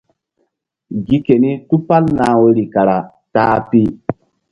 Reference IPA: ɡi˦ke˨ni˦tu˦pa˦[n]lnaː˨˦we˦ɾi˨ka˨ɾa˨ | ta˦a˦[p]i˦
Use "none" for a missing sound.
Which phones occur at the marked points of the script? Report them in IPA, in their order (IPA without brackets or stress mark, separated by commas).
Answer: none, p